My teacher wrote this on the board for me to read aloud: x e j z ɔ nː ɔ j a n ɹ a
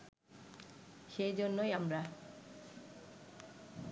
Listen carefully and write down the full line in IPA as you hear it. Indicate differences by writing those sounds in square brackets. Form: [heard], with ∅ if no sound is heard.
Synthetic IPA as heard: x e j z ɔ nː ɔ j a [m] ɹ a